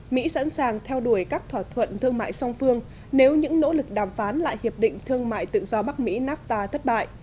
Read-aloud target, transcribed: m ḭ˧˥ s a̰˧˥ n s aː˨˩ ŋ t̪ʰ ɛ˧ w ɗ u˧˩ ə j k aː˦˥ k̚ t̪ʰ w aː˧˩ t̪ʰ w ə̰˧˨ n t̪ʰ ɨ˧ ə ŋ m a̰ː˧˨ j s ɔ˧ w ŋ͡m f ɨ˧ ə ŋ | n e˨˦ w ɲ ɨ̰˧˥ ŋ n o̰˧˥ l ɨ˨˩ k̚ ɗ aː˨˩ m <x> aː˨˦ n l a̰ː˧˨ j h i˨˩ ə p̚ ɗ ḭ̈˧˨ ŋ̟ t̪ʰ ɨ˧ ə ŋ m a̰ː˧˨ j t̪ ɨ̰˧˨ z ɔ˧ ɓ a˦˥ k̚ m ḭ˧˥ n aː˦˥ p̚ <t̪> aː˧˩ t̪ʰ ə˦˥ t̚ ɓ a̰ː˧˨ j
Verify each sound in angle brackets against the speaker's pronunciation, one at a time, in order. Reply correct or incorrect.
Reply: incorrect, correct

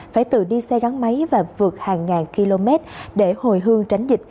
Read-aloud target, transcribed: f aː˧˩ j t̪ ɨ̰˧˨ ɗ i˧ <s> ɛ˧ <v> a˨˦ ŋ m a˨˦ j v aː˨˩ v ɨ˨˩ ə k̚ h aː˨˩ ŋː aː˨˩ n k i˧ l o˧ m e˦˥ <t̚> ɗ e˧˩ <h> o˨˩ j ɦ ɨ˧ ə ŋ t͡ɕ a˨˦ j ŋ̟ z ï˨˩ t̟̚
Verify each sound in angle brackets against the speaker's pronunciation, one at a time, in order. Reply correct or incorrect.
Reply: correct, incorrect, correct, correct

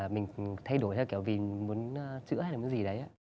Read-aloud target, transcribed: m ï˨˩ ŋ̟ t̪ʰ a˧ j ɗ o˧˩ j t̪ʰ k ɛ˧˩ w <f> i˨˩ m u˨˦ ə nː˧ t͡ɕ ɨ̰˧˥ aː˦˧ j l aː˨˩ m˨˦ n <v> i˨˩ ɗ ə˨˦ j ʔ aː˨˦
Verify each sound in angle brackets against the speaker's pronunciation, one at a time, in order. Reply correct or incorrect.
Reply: incorrect, incorrect

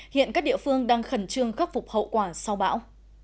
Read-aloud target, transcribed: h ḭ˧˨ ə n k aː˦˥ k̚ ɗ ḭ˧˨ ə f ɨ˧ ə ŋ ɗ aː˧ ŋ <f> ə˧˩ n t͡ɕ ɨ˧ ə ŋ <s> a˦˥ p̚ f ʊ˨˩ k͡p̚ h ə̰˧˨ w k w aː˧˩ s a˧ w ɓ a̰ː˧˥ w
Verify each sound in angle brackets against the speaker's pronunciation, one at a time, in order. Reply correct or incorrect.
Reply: incorrect, incorrect

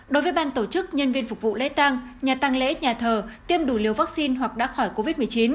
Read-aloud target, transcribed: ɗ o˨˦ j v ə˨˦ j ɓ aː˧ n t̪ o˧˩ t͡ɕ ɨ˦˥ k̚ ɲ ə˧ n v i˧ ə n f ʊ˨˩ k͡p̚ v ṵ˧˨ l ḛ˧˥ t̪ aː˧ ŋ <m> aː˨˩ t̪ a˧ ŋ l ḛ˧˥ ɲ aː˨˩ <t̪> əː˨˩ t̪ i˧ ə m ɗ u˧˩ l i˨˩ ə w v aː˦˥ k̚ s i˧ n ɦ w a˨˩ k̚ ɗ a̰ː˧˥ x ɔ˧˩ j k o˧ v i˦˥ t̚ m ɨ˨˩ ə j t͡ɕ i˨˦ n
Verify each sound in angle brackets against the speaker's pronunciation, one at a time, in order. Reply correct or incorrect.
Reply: incorrect, incorrect

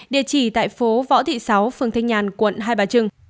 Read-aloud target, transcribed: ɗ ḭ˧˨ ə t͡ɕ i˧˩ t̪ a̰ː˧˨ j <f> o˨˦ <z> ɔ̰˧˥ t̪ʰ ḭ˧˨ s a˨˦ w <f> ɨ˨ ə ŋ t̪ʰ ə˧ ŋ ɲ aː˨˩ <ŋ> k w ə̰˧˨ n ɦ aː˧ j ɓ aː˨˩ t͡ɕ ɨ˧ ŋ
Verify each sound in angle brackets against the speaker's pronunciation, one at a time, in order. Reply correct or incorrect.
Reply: correct, incorrect, correct, incorrect

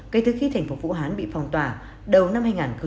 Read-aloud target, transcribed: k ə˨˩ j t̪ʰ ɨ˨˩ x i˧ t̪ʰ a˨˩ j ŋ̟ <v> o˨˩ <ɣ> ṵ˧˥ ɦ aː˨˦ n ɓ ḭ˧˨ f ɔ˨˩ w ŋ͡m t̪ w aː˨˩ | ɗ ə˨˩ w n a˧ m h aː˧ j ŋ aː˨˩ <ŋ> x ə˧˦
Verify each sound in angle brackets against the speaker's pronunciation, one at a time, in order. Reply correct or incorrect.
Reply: incorrect, incorrect, incorrect

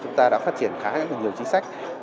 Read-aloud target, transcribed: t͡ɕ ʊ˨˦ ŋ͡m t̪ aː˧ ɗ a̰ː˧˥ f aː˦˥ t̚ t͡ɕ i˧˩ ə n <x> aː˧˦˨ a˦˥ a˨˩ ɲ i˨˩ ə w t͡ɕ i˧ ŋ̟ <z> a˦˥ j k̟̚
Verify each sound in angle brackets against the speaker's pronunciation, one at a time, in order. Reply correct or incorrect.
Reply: correct, incorrect

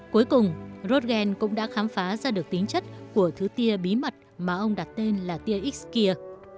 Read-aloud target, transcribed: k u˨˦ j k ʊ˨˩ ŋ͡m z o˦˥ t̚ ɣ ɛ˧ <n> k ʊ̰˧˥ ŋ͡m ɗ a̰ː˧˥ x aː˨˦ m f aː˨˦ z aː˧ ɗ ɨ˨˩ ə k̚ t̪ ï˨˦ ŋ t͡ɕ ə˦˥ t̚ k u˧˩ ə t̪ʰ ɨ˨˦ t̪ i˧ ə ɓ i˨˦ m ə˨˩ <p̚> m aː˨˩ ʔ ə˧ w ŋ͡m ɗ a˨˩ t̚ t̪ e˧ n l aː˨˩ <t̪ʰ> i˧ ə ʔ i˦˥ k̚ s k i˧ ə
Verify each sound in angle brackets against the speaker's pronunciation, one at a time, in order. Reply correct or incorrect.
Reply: correct, incorrect, incorrect

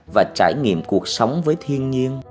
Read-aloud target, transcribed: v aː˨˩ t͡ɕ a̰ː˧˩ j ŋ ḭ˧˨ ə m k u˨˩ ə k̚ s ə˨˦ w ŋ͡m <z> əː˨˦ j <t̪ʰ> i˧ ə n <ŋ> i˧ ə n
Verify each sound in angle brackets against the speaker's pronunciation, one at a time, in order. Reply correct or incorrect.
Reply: incorrect, correct, incorrect

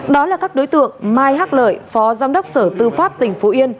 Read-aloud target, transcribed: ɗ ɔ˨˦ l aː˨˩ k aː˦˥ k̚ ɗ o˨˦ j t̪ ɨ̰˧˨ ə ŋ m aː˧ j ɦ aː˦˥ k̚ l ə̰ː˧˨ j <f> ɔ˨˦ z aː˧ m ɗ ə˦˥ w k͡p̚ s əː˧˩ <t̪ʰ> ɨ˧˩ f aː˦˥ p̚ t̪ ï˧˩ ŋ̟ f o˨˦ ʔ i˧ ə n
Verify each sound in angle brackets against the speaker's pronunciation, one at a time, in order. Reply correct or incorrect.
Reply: correct, incorrect

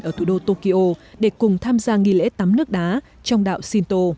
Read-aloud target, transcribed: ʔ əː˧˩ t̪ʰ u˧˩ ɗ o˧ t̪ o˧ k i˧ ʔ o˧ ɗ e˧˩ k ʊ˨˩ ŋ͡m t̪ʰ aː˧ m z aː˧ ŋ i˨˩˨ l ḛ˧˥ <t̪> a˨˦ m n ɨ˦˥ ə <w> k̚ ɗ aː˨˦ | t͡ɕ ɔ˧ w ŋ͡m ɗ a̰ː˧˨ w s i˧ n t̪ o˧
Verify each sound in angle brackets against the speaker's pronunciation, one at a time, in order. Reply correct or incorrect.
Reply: correct, incorrect

